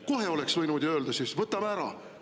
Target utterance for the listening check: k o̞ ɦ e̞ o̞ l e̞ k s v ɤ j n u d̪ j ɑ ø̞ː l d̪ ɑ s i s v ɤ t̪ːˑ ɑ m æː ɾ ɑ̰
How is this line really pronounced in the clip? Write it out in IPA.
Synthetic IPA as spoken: k o̞ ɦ e̞ o̞ l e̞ k s v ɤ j n u d̪ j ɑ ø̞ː l d̪ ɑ s i s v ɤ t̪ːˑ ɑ m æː ɾ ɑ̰